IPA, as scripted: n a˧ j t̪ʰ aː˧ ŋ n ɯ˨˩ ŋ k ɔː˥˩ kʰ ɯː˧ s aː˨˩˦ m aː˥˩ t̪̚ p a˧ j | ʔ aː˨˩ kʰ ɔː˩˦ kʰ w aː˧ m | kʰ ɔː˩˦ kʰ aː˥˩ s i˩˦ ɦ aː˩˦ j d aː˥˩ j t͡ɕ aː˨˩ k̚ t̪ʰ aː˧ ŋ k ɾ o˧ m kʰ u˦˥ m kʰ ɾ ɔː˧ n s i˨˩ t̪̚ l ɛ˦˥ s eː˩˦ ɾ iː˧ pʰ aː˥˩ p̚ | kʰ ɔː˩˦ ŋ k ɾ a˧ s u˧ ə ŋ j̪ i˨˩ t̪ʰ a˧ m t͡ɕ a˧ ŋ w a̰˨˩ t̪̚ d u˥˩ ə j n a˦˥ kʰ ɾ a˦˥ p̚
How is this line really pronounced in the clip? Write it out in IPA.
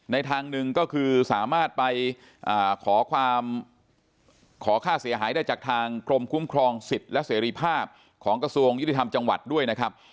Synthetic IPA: n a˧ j t̪ʰ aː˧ ŋ n ɯ˨˩ ŋ k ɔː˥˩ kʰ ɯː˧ s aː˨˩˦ m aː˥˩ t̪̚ p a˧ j | ʔ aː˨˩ kʰ ɔː˩˦ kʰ w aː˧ m | kʰ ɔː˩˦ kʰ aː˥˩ s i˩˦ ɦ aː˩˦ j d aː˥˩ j t͡ɕ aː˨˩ k̚ t̪ʰ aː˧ ŋ k ɾ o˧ m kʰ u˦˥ m kʰ ɾ ɔː˧ ŋ s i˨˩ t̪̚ l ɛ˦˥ s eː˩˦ ɾ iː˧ pʰ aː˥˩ p̚ | kʰ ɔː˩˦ ŋ k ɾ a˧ s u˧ ə ŋ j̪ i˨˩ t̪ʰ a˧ m t͡ɕ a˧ ŋ w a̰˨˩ t̪̚ d u˥˩ ə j n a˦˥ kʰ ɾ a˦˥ p̚